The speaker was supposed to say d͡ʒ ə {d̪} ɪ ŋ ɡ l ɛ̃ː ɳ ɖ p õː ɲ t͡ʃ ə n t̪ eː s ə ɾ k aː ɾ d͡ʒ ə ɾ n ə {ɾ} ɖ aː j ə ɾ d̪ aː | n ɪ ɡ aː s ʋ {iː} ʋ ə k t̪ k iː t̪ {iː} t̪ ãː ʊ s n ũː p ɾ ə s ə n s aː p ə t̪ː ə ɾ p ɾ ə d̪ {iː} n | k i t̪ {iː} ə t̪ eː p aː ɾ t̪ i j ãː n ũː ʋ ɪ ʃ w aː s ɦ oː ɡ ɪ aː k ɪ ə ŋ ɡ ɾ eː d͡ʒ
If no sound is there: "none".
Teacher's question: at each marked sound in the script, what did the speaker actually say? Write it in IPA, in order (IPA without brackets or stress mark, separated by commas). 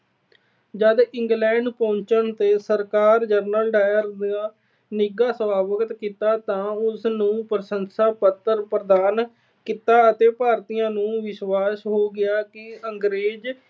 d̪, l, aː, aː, aː, aː